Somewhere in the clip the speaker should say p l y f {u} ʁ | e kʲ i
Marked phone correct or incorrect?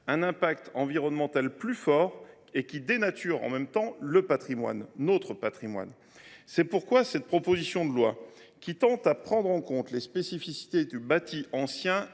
incorrect